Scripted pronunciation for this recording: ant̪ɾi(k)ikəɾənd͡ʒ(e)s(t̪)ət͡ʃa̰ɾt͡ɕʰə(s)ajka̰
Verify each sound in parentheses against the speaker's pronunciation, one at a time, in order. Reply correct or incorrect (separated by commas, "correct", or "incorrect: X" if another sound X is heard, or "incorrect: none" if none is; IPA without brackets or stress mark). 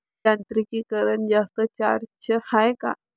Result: correct, incorrect: a, correct, incorrect: h